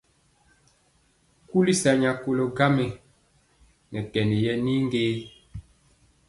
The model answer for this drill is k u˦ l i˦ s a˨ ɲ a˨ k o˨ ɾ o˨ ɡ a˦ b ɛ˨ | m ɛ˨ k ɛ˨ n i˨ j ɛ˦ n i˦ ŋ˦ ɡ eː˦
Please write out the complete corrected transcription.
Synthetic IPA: k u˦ l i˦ s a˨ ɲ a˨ k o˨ l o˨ ɡ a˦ m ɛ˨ | n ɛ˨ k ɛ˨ n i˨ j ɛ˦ n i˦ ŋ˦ ɡ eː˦